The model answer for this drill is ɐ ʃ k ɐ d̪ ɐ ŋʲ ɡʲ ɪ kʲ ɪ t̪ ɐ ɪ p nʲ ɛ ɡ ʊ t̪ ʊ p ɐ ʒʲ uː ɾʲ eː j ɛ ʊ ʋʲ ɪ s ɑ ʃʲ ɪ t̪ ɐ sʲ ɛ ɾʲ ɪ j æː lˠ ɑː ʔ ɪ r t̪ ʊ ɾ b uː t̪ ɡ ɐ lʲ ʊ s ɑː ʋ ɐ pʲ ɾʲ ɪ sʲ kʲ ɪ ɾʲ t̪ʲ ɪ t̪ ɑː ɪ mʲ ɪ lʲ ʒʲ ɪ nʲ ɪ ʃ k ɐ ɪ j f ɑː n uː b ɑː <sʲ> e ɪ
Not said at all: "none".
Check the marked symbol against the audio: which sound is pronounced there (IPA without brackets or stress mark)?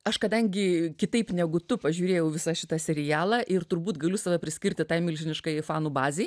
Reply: zʲ